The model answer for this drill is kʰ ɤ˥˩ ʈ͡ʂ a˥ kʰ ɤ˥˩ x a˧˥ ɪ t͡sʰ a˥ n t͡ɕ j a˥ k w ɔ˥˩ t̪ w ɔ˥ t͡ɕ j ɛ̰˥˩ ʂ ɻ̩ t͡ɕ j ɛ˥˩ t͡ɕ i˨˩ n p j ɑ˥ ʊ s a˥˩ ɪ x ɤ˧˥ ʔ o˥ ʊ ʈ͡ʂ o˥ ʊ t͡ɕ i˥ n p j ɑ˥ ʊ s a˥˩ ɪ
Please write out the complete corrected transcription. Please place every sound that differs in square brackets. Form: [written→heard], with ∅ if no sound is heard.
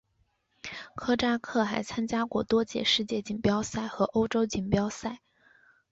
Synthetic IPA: kʰ [ɤ˥˩→ɤ˥] ʈ͡ʂ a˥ kʰ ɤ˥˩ x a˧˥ ɪ t͡sʰ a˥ n t͡ɕ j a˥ k w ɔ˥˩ t̪ w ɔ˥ t͡ɕ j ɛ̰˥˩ ʂ ɻ̩ t͡ɕ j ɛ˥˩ t͡ɕ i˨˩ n p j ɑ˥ ʊ s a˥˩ ɪ x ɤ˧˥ ʔ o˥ ʊ ʈ͡ʂ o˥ ʊ t͡ɕ [i˥→i˨˩] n p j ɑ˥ ʊ s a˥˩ ɪ